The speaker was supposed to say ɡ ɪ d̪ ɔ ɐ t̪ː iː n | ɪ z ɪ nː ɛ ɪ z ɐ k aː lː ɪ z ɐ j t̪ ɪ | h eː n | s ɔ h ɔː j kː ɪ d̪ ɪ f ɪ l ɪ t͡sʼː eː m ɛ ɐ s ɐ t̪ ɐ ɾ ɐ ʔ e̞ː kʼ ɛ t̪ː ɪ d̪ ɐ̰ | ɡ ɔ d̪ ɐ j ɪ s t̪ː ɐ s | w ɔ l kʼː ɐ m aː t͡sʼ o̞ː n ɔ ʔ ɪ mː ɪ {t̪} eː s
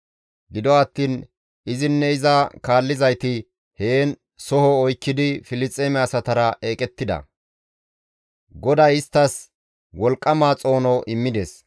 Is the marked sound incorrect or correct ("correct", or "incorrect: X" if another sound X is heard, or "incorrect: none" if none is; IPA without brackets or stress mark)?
incorrect: d̪